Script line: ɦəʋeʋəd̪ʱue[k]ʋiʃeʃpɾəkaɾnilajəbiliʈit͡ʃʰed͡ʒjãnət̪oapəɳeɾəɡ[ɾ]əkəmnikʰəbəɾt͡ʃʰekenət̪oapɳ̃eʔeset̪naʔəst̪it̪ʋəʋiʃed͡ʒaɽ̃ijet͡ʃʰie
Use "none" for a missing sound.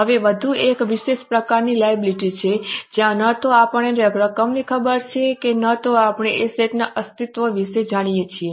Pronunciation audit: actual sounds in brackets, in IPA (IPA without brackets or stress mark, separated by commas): k, ɾ